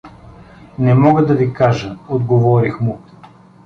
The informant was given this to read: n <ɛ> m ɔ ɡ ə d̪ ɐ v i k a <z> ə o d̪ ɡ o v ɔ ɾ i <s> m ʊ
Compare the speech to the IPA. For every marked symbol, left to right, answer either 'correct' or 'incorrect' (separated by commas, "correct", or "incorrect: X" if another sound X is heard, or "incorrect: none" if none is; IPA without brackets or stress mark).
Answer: correct, incorrect: ʒ, incorrect: x